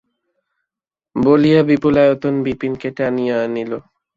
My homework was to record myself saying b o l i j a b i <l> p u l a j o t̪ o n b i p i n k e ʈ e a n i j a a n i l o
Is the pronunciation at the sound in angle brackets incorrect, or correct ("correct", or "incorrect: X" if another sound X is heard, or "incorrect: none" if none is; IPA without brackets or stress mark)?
incorrect: none